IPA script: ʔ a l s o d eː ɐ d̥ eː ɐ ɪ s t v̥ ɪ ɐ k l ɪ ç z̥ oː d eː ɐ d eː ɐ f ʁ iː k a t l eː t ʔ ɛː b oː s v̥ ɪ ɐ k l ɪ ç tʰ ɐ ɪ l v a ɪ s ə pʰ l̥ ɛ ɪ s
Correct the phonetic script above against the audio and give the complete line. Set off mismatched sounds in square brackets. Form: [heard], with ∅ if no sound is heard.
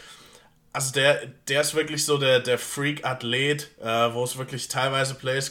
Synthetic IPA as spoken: ʔ a l [z] o d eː ɐ d̥ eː ɐ ɪ s t v̥ ɪ ɐ k l ɪ ç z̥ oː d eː ɐ d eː ɐ f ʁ iː k a t l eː t ʔ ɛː [v] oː s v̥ ɪ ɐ k l ɪ ç tʰ [a] ɪ l v a ɪ [z] ə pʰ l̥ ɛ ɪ s